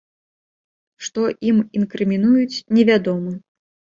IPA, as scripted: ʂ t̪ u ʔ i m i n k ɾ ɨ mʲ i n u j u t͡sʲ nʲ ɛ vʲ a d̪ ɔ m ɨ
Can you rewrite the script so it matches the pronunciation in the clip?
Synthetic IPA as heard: ʂ t̪ ɔ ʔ i m i n k ɾ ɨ mʲ i n u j u t͡sʲ nʲ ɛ vʲ a d̪ ɔ m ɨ